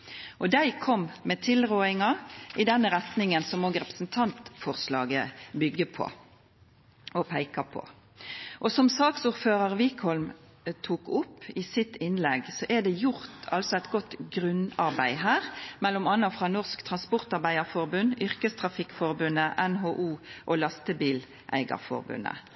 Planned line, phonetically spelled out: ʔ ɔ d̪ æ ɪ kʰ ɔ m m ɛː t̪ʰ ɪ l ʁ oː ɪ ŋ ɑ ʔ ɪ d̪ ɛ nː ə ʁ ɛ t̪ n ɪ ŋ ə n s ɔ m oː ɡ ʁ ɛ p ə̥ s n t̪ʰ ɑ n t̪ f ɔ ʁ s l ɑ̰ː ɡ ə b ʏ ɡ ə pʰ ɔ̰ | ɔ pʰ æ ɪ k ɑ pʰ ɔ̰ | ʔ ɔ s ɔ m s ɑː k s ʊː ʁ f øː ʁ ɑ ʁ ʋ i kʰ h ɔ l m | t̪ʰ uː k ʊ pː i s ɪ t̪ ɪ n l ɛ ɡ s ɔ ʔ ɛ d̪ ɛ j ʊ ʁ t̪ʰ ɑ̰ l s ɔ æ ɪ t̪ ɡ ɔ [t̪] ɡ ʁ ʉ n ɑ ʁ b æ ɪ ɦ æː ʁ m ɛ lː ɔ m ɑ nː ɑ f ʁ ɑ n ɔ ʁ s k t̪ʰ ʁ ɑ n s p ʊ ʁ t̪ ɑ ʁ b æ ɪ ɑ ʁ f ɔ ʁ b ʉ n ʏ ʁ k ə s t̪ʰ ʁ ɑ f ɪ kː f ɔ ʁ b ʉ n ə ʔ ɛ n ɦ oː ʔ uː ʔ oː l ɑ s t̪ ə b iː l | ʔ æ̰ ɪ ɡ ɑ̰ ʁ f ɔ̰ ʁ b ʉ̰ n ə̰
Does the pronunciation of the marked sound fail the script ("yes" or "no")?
no